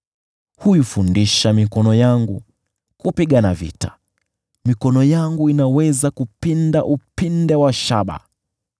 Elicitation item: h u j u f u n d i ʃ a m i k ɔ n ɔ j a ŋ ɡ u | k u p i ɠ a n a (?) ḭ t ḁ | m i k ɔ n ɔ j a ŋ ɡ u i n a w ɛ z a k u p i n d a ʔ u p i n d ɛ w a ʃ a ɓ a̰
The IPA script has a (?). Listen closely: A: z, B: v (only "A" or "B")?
B